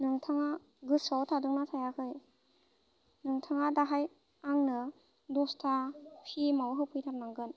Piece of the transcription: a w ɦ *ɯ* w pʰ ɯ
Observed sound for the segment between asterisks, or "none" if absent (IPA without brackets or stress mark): ɯ